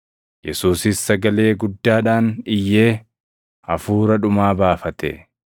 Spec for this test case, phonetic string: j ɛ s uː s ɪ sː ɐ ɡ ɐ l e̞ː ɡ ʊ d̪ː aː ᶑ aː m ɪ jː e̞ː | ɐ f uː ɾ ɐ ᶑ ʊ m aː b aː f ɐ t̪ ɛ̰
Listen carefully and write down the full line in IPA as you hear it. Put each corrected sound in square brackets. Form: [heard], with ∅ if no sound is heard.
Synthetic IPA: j ɛ s uː s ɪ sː ɐ ɡ ɐ l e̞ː ɡ ʊ d̪ː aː ᶑ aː [n] ɪ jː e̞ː | ɐ f uː ɾ ɐ ᶑ ʊ m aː b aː f ɐ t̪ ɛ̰